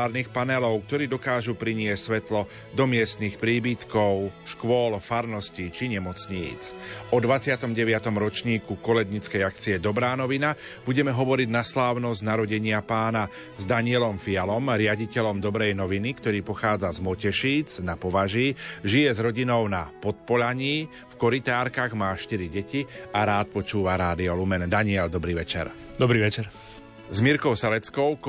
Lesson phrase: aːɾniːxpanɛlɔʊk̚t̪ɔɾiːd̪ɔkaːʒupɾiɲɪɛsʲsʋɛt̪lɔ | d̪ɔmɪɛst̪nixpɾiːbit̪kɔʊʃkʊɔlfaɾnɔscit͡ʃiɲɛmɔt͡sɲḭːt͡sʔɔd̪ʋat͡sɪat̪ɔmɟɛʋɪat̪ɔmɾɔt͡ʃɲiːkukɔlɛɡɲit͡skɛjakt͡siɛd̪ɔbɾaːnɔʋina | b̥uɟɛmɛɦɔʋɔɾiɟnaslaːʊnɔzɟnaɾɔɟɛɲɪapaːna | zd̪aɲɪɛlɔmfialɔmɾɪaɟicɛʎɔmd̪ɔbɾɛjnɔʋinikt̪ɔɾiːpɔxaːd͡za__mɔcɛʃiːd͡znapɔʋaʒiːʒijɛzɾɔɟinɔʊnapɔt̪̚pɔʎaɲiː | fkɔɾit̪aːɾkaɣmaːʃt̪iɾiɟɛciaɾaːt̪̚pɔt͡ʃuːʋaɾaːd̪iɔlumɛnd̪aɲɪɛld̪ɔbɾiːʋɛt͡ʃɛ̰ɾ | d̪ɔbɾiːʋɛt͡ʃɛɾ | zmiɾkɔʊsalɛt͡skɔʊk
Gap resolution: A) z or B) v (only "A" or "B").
A